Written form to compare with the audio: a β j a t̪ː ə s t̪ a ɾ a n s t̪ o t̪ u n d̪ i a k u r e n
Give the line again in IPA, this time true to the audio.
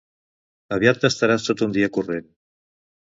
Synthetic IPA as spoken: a β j a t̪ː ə s t̪ a ɾ a s t̪ o t̪ u n d̪ i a k u r e n